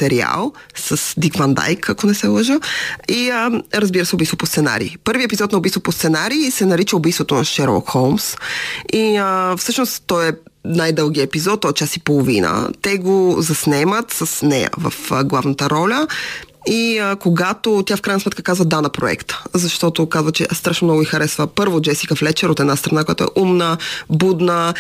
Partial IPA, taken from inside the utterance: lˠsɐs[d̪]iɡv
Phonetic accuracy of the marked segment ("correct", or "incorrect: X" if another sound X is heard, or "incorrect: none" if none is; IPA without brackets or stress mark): correct